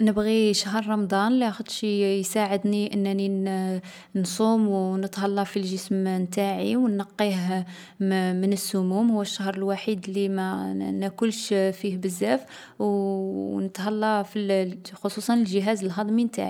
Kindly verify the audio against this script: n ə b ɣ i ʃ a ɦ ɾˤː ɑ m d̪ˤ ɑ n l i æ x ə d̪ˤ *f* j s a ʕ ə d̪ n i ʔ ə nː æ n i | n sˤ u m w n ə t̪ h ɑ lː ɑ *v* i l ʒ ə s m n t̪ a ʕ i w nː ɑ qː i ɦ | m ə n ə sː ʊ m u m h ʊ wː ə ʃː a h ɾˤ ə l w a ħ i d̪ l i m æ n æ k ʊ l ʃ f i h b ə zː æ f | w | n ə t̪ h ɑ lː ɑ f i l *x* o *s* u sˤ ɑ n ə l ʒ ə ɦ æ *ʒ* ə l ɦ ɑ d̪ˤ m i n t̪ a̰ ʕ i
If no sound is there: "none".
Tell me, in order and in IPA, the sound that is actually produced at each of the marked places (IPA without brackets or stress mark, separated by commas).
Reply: ʃ, f, x, s, z